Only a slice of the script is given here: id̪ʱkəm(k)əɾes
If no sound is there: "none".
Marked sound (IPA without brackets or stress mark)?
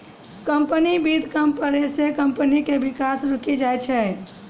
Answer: p